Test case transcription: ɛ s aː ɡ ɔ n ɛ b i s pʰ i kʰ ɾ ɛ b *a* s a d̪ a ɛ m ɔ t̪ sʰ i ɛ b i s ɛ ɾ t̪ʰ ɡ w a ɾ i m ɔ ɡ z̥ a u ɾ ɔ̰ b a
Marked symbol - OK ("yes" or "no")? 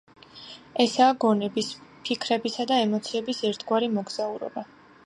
no